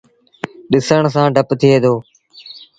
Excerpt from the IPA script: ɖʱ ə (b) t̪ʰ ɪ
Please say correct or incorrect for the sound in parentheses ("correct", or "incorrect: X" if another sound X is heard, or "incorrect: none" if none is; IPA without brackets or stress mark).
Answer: incorrect: p